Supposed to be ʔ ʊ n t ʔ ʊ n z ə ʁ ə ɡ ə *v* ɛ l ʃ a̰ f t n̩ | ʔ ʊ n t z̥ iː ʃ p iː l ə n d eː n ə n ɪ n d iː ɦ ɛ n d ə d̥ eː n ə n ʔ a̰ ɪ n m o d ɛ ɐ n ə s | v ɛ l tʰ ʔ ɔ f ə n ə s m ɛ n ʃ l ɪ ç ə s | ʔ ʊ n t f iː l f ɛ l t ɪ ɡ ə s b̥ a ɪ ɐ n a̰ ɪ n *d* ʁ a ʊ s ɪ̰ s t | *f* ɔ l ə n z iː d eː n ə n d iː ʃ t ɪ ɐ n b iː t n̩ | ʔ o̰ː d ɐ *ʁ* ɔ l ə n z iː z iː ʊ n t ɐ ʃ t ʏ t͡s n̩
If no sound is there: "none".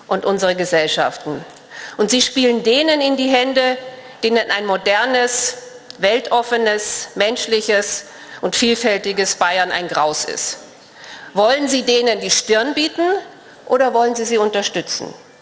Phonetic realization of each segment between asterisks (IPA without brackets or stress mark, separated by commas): z, ɡ, v, v